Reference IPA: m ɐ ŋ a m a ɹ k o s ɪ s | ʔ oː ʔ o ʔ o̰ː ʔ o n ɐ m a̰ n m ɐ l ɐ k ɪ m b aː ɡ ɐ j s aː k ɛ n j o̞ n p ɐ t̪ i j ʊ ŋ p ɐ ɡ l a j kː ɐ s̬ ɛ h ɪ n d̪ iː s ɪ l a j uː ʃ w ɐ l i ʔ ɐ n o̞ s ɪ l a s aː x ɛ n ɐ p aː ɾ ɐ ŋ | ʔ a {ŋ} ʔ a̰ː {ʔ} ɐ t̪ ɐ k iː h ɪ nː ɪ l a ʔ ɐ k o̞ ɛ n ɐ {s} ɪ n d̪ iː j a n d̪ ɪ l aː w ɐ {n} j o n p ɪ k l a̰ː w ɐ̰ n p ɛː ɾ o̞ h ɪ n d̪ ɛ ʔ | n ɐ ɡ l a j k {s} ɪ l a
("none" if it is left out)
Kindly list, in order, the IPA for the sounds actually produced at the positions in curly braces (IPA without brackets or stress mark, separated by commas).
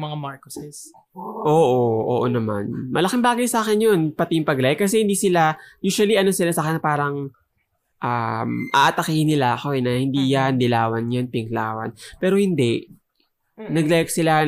m, ʔ, h, n, s